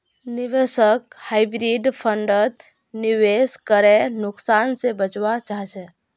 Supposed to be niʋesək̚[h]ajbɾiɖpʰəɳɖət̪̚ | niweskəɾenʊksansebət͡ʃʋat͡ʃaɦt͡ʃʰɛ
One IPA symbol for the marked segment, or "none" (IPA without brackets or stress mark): h